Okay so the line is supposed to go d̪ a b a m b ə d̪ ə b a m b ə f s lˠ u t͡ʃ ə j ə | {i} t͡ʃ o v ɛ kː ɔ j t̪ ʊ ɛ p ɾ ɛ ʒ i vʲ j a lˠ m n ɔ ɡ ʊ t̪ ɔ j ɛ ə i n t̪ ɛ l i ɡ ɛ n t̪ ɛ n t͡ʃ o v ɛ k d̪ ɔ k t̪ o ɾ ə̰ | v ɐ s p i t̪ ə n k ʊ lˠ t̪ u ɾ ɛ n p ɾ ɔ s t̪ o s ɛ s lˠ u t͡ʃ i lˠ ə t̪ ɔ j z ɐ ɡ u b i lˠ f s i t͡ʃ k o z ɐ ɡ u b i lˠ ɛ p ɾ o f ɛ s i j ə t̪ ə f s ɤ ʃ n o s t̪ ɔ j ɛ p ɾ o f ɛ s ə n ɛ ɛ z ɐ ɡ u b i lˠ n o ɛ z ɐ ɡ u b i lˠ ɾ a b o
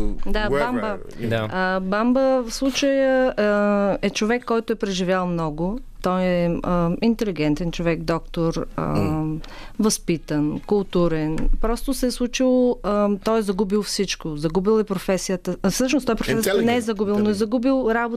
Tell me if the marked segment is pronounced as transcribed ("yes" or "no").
no